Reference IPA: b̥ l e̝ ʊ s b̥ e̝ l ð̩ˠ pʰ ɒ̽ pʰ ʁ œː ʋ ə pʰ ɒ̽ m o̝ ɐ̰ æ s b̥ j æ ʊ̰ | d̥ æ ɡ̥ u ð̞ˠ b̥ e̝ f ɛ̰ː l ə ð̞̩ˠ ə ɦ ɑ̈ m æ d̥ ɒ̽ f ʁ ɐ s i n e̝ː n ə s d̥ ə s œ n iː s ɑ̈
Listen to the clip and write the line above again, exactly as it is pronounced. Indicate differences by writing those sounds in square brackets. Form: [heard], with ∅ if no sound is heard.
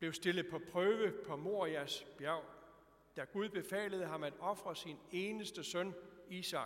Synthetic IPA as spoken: b̥ l e̝ ʊ s [d̥] e̝ l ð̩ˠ pʰ ɒ̽ pʰ ʁ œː ʋ ə pʰ ɒ̽ m o̝ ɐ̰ æ s b̥ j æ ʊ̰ | d̥ æ ɡ̥ u ð̞ˠ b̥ e̝ f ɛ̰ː l ə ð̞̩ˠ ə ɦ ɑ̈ m æ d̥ ɒ̽ f ʁ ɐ s i n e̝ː n ə s d̥ ə s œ n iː s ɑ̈